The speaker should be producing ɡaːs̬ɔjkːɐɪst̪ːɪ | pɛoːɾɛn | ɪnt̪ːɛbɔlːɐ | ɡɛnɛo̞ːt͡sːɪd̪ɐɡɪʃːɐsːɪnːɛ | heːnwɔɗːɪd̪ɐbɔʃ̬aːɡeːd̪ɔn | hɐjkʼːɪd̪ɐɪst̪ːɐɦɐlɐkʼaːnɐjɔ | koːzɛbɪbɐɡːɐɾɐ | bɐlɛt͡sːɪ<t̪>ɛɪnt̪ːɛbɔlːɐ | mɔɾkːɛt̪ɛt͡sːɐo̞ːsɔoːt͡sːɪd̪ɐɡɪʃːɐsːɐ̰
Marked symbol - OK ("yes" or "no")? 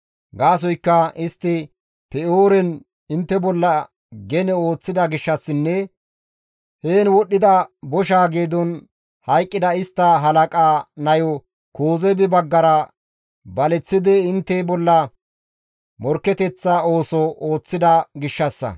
no